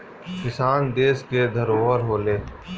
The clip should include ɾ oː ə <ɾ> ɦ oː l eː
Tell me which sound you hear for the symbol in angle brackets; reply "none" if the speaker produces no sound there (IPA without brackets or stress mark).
ɾ